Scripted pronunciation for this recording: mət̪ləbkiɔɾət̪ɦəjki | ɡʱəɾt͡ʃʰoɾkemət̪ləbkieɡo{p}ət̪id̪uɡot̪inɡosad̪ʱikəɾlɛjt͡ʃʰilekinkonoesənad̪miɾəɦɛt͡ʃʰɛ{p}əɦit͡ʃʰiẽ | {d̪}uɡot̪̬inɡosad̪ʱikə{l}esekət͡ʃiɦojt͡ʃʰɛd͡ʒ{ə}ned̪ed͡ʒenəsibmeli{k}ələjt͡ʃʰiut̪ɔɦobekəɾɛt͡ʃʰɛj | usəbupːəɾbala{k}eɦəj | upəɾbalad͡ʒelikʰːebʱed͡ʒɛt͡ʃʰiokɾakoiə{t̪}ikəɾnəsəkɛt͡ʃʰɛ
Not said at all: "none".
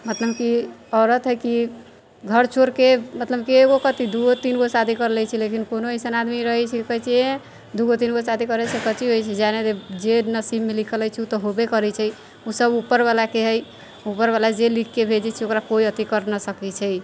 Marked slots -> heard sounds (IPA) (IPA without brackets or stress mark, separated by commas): k, k, d̪, ɾ, a, kʰ, k, t̪